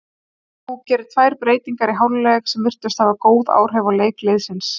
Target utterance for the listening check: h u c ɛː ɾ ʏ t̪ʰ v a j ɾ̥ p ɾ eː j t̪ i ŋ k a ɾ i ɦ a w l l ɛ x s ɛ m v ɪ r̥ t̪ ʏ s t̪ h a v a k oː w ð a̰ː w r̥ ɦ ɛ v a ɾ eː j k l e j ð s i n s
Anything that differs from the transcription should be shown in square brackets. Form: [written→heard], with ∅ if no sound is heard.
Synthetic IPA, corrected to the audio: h u c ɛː ɾ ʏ t̪ʰ v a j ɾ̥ p ɾ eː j t̪ i ŋ k a ɾ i ɦ a w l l ɛ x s ɛ m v ɪ r̥ t̪ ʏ s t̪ h a v a k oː w ð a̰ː w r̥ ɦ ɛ v a [ɾ→l] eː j k l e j ð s [i→ɪ] n s